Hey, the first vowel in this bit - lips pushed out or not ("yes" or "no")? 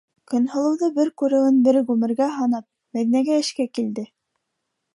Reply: yes